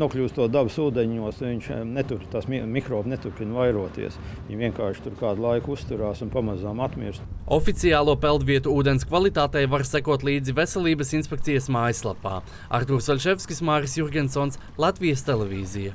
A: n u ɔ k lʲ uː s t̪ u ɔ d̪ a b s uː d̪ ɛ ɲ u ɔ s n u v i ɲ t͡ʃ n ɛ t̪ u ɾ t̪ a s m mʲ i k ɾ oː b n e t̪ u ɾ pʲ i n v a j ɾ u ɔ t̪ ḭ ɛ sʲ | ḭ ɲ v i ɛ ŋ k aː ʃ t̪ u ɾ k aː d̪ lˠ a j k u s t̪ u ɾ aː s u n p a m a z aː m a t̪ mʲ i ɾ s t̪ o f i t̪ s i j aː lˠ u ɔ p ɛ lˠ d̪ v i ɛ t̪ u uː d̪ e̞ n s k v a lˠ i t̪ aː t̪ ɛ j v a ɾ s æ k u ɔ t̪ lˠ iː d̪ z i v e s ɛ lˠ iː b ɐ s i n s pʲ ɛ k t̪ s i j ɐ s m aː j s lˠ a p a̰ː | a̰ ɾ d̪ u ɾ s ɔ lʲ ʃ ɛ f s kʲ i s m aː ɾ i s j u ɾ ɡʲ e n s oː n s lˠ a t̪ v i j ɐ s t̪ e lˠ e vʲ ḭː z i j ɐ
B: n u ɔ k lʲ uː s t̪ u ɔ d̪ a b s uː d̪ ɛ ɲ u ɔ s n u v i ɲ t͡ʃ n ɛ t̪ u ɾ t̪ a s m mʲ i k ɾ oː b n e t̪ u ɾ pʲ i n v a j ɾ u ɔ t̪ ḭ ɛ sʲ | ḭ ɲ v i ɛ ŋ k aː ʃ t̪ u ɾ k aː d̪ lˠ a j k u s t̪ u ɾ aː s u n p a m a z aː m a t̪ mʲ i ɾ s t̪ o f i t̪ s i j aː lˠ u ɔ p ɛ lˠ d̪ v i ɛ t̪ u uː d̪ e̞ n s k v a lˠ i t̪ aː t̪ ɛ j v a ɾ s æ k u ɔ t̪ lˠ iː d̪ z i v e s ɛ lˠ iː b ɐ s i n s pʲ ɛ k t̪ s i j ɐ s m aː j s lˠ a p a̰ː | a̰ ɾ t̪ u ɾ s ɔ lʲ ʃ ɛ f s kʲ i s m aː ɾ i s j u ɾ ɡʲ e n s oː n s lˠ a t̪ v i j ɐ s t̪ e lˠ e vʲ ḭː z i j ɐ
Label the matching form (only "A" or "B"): B